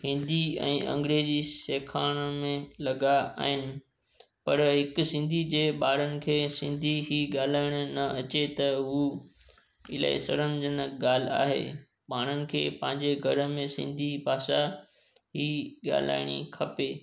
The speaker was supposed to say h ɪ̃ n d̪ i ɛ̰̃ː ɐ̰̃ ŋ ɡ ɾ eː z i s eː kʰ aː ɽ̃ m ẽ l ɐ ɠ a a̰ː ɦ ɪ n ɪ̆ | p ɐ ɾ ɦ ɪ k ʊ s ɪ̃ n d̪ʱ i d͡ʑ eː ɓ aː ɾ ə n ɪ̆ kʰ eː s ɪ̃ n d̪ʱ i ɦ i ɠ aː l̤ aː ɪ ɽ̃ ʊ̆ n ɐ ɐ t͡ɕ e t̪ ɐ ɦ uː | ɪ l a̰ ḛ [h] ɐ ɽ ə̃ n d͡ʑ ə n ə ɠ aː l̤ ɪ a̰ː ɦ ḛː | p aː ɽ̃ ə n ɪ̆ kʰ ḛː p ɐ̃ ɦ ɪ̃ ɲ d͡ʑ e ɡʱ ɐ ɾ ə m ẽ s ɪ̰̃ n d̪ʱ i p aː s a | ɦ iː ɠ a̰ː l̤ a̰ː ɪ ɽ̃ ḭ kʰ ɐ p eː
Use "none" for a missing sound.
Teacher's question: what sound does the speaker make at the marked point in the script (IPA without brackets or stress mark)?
s